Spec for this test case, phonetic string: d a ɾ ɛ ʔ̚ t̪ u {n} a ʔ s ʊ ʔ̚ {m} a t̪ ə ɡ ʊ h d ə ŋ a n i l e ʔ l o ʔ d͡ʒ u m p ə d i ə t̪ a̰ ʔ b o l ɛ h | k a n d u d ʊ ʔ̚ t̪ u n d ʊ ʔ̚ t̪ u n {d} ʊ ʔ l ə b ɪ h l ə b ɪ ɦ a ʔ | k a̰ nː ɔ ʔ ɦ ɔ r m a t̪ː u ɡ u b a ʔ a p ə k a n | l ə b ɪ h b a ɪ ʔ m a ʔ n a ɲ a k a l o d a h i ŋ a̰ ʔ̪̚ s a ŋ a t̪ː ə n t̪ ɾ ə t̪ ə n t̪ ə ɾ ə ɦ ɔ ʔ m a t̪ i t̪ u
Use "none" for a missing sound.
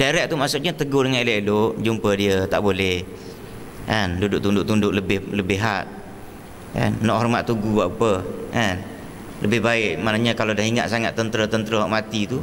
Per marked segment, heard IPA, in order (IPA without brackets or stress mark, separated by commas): m, ɲ, d